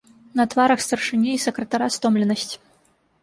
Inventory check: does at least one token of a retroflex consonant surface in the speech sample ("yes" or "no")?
yes